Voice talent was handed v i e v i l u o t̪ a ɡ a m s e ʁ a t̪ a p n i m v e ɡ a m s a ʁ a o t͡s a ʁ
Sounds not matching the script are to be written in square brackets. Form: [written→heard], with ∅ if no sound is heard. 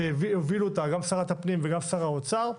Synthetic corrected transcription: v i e v i l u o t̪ a ɡ a m s [e→a] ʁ a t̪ a p n i m v e ɡ a m s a ʁ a o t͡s a ʁ